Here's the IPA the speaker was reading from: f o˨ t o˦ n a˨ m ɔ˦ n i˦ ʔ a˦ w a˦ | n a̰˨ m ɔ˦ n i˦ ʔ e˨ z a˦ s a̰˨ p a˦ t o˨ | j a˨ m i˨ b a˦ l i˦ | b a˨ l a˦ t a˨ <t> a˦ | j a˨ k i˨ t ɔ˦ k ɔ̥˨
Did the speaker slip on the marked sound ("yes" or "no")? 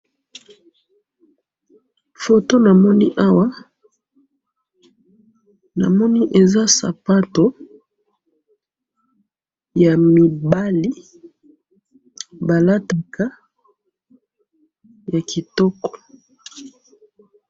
yes